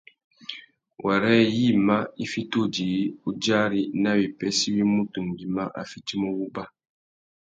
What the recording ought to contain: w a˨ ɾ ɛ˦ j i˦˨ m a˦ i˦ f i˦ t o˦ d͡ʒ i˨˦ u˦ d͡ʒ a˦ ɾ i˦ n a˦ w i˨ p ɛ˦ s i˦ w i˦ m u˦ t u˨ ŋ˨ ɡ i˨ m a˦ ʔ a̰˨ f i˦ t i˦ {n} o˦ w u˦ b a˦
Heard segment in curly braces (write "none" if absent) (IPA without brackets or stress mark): m